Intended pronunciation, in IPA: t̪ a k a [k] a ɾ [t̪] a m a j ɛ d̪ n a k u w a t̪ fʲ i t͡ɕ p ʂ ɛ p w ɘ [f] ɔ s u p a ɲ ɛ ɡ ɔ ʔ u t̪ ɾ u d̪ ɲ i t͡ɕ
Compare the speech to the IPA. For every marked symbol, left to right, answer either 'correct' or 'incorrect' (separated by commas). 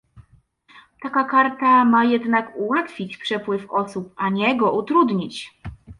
correct, correct, correct